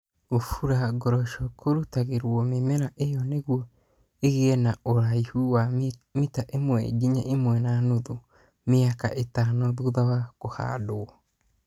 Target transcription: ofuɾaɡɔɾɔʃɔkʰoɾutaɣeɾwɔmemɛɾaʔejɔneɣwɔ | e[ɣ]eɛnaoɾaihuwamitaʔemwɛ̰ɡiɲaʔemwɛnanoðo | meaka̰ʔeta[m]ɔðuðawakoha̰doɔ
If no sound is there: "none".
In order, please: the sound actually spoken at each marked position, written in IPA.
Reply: ɣ, n

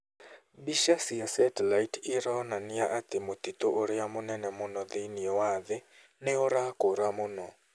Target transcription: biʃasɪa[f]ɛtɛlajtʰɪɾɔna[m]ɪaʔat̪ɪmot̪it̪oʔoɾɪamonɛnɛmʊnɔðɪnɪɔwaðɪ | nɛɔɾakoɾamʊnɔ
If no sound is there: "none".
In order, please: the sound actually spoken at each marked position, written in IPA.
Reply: s, n

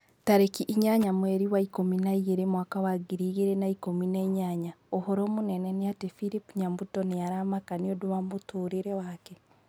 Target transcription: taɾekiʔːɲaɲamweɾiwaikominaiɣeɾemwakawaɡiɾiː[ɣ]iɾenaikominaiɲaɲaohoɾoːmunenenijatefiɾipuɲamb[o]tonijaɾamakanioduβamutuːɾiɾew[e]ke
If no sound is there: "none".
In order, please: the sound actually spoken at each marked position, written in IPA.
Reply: ɣ, u, a

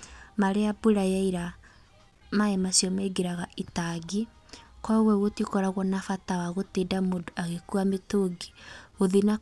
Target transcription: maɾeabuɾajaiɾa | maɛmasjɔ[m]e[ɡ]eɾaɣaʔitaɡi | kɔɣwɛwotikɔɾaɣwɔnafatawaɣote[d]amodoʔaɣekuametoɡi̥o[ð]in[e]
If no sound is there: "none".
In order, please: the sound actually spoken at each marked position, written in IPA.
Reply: m, ɡ, d, ð, a

